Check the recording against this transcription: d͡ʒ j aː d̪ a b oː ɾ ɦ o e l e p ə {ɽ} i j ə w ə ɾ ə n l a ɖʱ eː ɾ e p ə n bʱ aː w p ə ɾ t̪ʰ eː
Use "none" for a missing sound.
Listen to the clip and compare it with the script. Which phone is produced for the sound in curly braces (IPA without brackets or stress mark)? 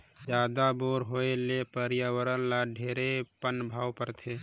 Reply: ɾ